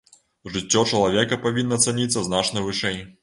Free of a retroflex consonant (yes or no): no